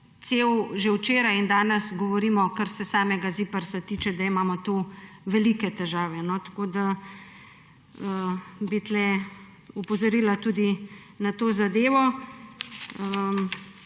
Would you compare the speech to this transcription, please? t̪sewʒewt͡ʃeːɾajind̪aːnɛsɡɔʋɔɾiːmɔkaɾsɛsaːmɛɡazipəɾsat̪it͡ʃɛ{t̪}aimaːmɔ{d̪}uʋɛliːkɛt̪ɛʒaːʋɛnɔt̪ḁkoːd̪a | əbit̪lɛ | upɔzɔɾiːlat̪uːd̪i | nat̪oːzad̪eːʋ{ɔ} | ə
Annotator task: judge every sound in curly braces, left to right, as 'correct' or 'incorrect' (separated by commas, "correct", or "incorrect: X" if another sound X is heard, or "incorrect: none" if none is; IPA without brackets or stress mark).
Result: incorrect: d̪, incorrect: t̪, correct